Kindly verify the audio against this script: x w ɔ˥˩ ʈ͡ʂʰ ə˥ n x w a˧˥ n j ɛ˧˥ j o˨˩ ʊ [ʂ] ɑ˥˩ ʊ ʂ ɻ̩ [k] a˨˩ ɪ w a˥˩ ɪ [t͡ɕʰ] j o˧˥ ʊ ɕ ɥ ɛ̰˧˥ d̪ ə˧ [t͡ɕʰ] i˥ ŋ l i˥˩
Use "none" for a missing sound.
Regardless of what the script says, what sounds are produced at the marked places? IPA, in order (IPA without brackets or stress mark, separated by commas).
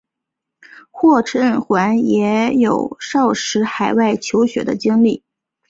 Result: ʂ, x, t͡ɕʰ, t͡ɕ